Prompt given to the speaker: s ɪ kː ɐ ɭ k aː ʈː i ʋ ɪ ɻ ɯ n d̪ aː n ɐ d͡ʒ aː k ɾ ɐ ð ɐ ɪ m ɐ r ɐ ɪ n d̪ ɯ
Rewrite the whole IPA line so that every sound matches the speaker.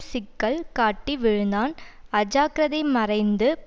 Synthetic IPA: s ɪ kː ɐ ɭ k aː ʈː i ʋ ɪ ɻ ɯ n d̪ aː n ɐ d͡ʒ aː k ɾ ɐ ð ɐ ɪ m ɐ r ɐ ɪ n d̪ ɯ

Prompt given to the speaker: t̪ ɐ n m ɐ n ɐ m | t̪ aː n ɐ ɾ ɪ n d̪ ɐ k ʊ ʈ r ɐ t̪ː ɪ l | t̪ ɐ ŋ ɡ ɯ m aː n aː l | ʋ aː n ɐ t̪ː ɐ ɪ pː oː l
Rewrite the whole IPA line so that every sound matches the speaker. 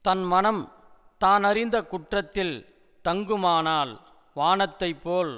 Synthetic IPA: t̪ ɐ n m ɐ n ɐ m | t̪ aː n ɐ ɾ ɪ n d̪ ɐ k ʊ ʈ r ɐ t̪ː ɪ l | t̪ ɐ ŋ ɡ ɯ m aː n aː l | ʋ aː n ɐ t̪ː ɐ ɪ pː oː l

